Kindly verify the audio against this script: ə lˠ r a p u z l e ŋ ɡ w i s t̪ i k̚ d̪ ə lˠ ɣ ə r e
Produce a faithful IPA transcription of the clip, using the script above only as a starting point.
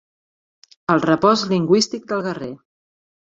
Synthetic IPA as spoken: ə lˠ r ə p ɔ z l i ŋ ɡ w i s t̪ i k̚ d̪ ə lˠ ɣ ə r e